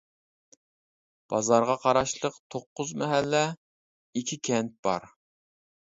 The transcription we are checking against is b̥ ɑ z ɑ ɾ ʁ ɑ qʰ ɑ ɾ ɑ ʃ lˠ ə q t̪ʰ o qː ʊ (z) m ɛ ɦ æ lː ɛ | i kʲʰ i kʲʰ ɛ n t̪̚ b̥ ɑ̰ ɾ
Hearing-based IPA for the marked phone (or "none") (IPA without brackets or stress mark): z